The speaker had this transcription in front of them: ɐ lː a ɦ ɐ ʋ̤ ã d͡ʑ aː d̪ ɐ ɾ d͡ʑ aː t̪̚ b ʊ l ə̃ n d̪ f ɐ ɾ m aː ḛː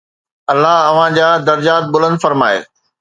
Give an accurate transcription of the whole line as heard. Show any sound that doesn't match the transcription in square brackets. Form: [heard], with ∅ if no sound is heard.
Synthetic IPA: ɐ lː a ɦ ɐ ʋ̤ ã d͡ʑ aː d̪ ɐ ɾ d͡ʑ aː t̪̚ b ʊ l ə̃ n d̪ f ɐ ɾ m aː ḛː

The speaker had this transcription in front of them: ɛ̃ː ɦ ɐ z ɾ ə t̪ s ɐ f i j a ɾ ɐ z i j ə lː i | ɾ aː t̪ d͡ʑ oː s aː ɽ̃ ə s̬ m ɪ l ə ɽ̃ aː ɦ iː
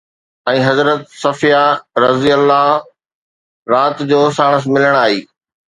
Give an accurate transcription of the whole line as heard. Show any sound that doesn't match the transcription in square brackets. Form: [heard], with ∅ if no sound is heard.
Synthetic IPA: ɛ̃ː ɦ ɐ z ɾ ə t̪ s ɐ f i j a ɾ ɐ z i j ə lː [a] | ɾ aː t̪ d͡ʑ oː s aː ɽ̃ ə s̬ m ɪ l ə ɽ̃ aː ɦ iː

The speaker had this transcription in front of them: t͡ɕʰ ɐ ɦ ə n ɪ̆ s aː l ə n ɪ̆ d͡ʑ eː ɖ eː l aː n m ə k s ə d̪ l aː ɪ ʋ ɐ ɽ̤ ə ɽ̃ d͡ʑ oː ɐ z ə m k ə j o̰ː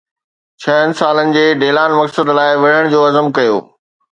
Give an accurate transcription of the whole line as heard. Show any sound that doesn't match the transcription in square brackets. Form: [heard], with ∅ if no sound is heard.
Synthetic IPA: t͡ɕʰ ɐ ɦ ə n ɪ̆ s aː l ə n ɪ̆ d͡ʑ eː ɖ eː l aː n m [ɐ] k s ə d̪ l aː ɪ ʋ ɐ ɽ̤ ə ɽ̃ d͡ʑ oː ɐ z ə m k [ɐ] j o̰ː

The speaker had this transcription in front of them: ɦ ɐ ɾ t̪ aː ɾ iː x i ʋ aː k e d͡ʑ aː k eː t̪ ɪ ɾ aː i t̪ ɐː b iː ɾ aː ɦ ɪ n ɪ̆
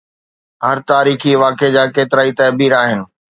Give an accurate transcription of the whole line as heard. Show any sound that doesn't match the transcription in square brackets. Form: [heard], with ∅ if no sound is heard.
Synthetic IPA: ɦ ɐ ɾ t̪ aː ɾ iː x i ʋ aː k e d͡ʑ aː k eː t̪ ɪ ɾ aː i t̪ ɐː b iː ɾ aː ɦ ɪ n ɪ̆

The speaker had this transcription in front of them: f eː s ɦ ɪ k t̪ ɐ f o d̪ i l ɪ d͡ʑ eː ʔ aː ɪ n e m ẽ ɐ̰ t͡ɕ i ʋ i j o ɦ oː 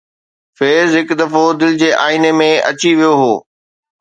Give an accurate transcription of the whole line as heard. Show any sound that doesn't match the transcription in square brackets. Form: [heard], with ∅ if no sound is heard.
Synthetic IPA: f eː [z] ɦ ɪ k [d̪] ɐ f o d̪ [ɪ] l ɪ d͡ʑ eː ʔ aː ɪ n e m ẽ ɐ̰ t͡ɕ i ʋ i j o ɦ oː

